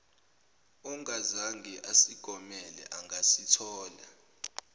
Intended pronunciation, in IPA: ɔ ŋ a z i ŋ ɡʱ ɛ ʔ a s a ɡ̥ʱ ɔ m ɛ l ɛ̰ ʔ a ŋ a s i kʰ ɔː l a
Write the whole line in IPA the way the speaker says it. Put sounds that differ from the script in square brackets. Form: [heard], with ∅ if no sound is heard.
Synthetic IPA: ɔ ŋ a z [a] ŋ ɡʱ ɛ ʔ a s [i] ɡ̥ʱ ɔ m ɛ l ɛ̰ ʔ a ŋ a s i [tʰ] ɔː l a